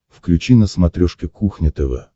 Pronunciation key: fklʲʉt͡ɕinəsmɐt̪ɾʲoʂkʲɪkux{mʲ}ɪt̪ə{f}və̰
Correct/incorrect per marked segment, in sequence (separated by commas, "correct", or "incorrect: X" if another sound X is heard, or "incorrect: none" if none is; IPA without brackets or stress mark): incorrect: nʲ, incorrect: none